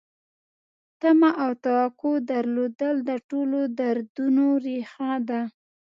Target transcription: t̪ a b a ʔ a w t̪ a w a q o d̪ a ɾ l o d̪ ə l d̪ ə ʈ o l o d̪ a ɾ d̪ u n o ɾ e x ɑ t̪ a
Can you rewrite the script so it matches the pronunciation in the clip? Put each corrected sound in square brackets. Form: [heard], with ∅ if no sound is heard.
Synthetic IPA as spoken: t̪ a [m] a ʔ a w t̪ a w a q o d̪ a ɾ l o d̪ ə l d̪ ə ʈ o l o d̪ a ɾ d̪ u n o ɾ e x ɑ [d̪] a